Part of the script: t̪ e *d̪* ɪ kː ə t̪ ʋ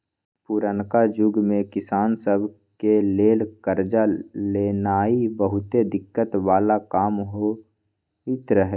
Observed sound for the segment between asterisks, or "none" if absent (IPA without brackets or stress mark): d̪